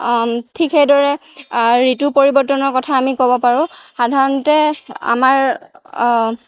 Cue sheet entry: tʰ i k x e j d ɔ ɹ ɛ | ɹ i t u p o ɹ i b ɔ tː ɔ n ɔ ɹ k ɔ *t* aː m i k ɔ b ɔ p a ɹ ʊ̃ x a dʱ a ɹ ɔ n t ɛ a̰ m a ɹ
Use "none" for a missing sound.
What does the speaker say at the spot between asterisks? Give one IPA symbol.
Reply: tʰ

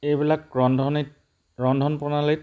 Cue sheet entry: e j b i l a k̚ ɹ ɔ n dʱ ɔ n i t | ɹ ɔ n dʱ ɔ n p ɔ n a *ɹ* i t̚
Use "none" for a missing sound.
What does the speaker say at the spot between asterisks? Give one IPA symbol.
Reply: l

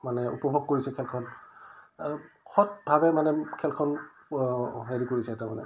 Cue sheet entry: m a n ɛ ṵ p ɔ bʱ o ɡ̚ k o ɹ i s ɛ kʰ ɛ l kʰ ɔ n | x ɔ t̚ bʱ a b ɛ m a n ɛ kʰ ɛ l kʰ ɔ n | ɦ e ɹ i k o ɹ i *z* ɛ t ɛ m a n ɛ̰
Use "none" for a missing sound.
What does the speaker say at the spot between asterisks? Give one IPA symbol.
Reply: s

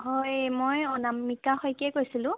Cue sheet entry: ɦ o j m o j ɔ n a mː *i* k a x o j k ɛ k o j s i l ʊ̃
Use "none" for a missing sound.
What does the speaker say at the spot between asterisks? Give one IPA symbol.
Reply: i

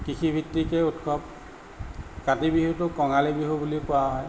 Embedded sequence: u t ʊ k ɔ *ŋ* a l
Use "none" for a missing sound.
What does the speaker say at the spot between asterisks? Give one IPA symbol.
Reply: ŋ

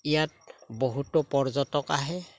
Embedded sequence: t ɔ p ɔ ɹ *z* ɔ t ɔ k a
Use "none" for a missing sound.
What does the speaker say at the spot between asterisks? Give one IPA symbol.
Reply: z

